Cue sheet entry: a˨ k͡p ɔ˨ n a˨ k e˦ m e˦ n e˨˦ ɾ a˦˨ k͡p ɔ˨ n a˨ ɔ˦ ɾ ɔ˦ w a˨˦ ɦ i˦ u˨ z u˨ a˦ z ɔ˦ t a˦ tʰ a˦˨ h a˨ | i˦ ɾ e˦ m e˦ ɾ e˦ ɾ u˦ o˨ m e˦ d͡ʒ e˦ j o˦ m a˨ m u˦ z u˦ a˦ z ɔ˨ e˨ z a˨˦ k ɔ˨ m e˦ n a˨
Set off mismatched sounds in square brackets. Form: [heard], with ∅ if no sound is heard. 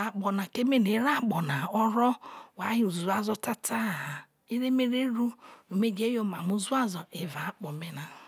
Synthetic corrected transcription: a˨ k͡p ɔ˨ n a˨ k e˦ m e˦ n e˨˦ ɾ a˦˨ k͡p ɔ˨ n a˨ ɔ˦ ɾ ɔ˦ w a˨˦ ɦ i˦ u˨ z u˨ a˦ z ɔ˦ t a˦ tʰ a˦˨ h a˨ | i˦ ɾ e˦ m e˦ ɾ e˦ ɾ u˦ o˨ m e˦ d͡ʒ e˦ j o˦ m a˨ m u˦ z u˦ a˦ z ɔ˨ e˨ [v] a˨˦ [k͡p] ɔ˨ m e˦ n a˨